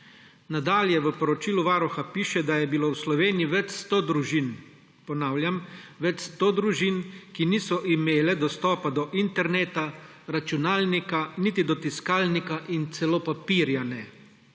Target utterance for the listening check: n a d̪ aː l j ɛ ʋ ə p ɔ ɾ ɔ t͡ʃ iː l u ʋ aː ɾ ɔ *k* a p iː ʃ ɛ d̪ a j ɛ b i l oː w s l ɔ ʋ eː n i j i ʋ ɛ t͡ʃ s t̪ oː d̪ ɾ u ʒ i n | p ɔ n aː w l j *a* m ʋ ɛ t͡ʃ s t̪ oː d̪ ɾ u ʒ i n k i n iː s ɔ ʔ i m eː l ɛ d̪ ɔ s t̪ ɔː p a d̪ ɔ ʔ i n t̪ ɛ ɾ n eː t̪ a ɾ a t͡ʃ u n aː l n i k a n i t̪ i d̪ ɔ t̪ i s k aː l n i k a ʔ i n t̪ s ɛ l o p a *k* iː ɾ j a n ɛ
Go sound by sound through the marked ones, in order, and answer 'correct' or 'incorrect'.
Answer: incorrect: x, correct, incorrect: p

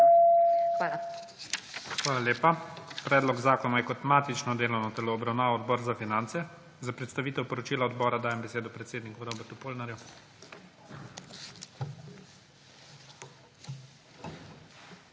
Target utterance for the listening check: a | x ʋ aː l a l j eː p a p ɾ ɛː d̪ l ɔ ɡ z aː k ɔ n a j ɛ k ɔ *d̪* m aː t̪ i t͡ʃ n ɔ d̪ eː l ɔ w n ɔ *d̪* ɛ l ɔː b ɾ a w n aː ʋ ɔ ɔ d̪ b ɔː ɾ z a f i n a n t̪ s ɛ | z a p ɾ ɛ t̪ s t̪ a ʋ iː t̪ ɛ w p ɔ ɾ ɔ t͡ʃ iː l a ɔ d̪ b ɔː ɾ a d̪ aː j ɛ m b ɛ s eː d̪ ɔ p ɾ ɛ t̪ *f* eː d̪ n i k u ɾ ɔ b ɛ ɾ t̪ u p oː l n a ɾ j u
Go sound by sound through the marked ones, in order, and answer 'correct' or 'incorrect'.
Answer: incorrect: t̪, incorrect: t̪, incorrect: s

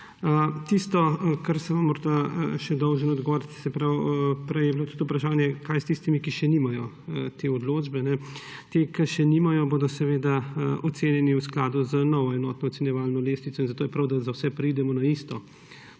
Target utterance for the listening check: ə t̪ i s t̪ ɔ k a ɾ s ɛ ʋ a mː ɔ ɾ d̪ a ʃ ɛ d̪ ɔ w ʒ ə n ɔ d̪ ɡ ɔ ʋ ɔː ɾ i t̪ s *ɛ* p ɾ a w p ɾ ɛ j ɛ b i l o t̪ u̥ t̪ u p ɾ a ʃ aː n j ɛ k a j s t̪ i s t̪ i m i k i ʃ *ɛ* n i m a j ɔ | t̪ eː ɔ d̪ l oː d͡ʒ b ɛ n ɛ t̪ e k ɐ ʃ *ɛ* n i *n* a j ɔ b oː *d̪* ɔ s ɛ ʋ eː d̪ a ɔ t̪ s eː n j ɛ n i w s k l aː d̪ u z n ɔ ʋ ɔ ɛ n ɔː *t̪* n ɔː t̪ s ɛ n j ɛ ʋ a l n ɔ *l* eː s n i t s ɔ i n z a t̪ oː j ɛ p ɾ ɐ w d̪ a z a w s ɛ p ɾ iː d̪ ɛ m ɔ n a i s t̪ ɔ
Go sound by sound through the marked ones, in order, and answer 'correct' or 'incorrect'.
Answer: correct, correct, correct, incorrect: m, correct, correct, correct

